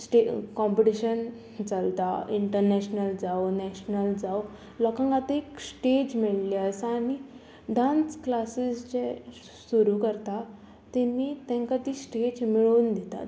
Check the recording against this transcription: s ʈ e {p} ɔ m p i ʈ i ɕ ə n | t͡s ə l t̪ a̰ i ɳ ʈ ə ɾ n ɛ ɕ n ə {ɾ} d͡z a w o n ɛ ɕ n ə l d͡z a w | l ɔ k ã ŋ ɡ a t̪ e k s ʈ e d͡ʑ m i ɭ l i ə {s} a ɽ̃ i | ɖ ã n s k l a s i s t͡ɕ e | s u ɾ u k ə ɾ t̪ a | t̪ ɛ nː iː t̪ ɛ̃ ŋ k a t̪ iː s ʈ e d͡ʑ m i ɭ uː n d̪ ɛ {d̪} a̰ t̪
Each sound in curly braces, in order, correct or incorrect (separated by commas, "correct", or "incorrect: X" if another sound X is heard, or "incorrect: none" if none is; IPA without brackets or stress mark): incorrect: k, incorrect: l, correct, incorrect: t̪